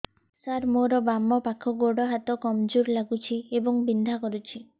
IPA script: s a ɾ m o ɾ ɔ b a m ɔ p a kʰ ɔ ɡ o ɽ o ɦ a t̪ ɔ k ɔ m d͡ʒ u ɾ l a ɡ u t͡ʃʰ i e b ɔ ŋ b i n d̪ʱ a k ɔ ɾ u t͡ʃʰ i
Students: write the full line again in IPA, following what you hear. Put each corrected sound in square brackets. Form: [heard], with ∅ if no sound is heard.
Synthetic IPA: s a ɾ m o ɾ ɔ b a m ɔ p a kʰ ɔ ɡ o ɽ [ɔ] ɦ a t̪ ɔ k ɔ m d͡ʒ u ɾ l a ɡ u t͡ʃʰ i e b ɔ ŋ b i n d̪ʱ a k ɔ ɾ u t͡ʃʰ i